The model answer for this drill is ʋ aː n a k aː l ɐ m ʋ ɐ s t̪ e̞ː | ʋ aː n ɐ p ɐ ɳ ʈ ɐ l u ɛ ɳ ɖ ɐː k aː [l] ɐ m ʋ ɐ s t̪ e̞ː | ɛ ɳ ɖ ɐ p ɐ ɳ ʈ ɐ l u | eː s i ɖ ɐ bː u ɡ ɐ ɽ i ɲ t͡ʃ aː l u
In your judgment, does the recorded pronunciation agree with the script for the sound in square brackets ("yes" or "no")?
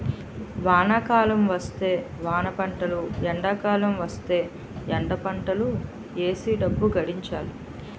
yes